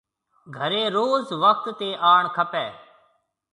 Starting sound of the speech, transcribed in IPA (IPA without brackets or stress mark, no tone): ɡʱ